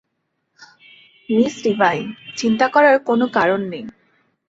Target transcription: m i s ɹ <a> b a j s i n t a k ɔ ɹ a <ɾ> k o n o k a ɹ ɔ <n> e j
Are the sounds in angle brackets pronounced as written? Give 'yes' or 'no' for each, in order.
no, no, no

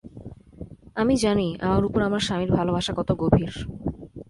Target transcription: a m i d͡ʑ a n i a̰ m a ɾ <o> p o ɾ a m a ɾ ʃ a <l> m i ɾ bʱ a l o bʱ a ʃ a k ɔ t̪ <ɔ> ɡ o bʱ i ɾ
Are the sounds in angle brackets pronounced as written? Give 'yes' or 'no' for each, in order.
no, no, no

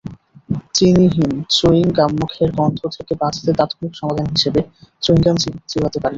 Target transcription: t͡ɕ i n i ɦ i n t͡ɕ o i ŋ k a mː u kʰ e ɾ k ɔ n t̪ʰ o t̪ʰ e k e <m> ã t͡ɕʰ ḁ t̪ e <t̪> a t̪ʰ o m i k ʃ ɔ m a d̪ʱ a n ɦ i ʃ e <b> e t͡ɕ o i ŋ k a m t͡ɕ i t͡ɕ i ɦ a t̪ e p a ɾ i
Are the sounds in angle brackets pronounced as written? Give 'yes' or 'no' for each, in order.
no, yes, yes

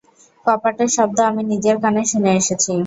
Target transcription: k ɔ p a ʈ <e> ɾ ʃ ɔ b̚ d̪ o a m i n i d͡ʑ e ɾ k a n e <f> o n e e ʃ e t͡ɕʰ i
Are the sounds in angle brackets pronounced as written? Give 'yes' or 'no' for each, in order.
yes, no

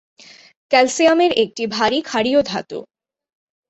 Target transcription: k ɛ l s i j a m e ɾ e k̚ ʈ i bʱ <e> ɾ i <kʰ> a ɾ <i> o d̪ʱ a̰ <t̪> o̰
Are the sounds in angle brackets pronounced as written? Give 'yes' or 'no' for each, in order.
no, yes, yes, yes

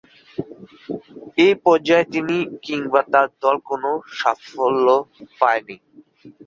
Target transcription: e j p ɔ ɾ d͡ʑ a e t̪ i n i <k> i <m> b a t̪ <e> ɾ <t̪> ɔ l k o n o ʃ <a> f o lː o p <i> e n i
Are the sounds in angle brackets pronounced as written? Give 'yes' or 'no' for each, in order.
yes, no, no, no, yes, no

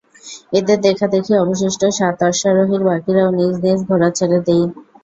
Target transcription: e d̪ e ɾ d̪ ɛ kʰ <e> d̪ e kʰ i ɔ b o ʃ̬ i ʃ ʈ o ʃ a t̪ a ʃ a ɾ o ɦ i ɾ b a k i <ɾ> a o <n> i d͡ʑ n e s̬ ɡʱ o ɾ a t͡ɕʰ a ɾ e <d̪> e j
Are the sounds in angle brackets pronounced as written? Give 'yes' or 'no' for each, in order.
no, yes, yes, yes

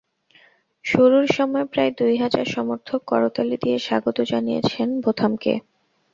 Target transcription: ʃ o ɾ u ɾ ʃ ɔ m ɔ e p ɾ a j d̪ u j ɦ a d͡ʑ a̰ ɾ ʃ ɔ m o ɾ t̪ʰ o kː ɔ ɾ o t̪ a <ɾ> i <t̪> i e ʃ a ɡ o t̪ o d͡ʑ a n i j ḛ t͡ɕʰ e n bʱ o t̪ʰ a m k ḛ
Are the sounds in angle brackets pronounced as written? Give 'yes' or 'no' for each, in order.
no, no

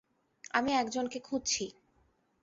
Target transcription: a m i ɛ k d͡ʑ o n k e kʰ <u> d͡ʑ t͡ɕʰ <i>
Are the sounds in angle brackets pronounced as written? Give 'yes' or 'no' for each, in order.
yes, yes

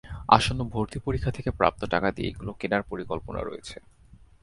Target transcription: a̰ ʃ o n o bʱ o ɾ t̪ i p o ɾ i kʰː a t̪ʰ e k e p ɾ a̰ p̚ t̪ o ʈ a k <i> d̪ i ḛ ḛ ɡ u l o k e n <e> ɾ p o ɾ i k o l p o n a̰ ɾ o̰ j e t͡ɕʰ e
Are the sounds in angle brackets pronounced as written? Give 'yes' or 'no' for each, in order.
no, no

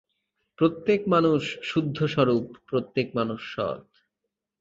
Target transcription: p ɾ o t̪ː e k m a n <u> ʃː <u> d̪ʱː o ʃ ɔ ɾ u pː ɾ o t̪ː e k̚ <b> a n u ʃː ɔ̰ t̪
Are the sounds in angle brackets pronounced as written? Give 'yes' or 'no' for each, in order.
yes, yes, no

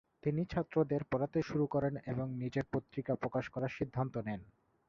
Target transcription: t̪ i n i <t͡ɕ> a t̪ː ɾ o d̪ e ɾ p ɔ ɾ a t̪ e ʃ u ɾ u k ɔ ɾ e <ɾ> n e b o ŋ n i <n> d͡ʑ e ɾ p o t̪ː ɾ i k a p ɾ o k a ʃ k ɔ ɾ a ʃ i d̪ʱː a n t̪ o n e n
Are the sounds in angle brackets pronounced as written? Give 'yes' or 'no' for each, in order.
no, no, no

